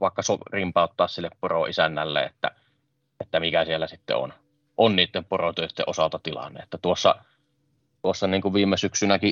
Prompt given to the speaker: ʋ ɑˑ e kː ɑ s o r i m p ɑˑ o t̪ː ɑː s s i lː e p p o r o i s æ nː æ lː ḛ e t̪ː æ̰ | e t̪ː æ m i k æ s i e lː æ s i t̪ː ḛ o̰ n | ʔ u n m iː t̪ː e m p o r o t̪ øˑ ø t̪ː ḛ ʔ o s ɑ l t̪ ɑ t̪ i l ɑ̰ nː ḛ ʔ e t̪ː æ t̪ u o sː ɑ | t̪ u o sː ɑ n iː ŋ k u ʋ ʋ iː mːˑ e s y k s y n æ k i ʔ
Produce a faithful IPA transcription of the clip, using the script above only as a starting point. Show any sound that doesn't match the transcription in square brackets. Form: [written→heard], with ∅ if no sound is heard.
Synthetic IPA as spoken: ʋ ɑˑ e kː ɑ s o r i m p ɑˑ o t̪ː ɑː s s i lː e p p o r o i s æ nː æ lː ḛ e t̪ː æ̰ | e t̪ː æ m i k æ s i e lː æ s i t̪ː ḛ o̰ n | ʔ [u→o] n [m→n] iː t̪ː e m p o r o t̪ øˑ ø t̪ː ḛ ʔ o s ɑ l t̪ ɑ t̪ i l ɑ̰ nː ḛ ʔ e t̪ː æ t̪ u o sː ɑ | t̪ u o sː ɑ n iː ŋ k u ʋ ʋ iː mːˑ e s y k s y n æ k i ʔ